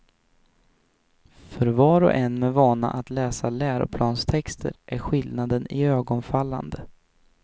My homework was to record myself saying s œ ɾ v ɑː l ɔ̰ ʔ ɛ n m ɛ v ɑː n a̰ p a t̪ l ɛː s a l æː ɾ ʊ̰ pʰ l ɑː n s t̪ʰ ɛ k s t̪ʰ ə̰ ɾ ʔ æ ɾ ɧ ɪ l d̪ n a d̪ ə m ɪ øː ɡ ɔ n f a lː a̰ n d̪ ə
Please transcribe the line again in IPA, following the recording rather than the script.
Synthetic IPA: f œ ɾ v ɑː ɾ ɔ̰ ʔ ɛ n m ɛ v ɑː n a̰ ʔ a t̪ l ɛː s a l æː ɾ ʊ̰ pʰ l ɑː n s t̪ʰ ɛ k s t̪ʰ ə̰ ɾ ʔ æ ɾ ɧ ɪ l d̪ n a d̪ ə n ɪ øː ɡ ɔ n f a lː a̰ n d̪ ə